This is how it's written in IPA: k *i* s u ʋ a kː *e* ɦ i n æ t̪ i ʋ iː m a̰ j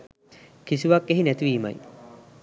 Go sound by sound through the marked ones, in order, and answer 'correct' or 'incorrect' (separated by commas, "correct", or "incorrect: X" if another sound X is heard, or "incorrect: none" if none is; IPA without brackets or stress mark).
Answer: correct, correct